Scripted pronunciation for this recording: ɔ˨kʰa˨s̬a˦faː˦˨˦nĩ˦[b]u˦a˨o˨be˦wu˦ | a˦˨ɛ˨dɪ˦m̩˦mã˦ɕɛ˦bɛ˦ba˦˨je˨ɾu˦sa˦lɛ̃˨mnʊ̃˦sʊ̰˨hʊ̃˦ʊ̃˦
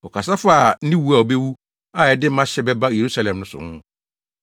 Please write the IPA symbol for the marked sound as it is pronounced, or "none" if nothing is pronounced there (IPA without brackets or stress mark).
w